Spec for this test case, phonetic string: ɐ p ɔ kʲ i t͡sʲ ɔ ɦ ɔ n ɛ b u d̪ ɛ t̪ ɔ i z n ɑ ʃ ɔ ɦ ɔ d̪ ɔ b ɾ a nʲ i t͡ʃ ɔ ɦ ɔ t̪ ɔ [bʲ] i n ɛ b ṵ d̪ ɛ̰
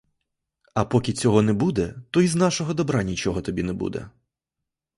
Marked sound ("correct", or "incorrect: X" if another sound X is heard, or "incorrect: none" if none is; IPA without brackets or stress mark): correct